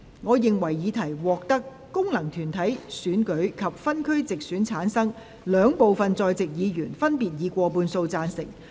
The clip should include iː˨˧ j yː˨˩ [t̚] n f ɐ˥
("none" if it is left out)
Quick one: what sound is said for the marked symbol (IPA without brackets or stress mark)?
none